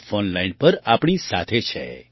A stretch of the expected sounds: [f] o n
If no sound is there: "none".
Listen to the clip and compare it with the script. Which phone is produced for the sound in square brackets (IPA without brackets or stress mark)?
f